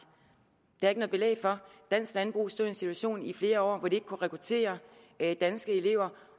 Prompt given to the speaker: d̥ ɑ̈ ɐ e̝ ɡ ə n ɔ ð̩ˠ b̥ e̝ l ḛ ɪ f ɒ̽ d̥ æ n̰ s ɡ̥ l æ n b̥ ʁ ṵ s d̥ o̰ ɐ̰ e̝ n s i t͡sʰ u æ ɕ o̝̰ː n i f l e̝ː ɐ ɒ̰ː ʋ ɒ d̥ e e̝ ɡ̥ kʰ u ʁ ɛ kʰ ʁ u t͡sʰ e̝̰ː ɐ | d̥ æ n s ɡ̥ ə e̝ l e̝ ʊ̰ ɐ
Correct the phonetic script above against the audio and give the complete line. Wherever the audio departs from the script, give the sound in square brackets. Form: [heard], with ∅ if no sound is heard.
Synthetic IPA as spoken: d̥ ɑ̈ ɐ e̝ ɡ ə n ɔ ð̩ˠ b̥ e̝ l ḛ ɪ f ɒ̽ d̥ æ n̰ s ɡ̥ l æ n b̥ ʁ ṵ s d̥ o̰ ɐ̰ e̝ n s i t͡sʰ u æ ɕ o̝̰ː n i f l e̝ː ɐ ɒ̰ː ʋ ɒ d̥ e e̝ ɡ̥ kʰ u ʁ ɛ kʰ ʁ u t͡sʰ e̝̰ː ɐ | d̥ æ n s ɡ̥ ə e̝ l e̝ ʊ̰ ɐ